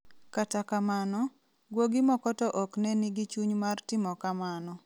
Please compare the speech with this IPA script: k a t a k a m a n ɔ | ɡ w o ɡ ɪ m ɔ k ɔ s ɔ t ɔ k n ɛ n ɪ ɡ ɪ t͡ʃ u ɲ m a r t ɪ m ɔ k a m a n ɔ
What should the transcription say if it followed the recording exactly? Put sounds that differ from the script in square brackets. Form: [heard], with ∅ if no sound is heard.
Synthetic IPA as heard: k a t a k a m a n ɔ | ɡ w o ɡ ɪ m ɔ k ɔ [t] ɔ [ʔ] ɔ k n ɛ n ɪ ɡ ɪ t͡ʃ u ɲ m a r t ɪ m ɔ k a m a n ɔ